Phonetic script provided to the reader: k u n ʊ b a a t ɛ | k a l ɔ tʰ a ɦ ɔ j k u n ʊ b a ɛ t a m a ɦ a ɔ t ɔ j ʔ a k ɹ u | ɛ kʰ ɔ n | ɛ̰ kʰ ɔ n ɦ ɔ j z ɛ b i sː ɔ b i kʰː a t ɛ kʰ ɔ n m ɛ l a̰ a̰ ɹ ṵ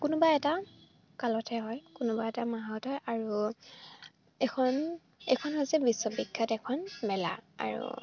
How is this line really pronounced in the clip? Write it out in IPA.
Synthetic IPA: k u n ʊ b a ɛ t a | k a l ɔ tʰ ɛ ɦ ɔ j k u n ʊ b a ɛ t a m a ɦ a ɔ t ɔ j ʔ a ɹ u | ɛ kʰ ɔ n | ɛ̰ kʰ ɔ n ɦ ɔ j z ɛ b i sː ɔ b i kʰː a t ɛ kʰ ɔ n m ɛ l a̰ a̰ ɹ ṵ